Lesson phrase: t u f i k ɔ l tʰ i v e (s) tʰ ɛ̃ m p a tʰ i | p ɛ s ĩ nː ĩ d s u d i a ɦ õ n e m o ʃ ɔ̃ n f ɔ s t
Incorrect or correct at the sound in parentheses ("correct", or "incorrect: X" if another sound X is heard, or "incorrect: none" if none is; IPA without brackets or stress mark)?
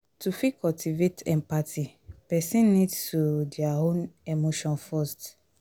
incorrect: none